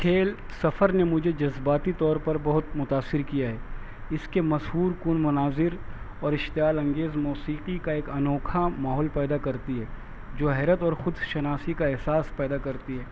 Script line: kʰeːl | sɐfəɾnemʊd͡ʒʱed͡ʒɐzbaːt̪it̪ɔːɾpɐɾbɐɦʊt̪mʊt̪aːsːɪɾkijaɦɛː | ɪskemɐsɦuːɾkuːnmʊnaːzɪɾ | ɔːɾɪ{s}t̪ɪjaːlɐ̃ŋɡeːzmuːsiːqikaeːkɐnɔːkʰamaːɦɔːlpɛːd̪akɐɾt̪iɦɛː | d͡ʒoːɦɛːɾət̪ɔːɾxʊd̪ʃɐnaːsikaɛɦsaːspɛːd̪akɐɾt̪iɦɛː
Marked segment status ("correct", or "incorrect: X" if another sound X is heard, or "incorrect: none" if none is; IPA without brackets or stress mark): incorrect: ʃ